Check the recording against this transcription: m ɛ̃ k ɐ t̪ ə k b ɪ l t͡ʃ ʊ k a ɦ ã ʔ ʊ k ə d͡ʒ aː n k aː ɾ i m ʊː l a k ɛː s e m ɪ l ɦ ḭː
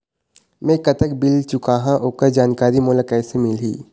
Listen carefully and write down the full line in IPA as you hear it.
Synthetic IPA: m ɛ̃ k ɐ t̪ ə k b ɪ l t͡ʃ ʊ k a ɦ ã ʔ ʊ k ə d͡ʒ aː n k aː ɾ i m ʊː l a k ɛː s e m ɪ l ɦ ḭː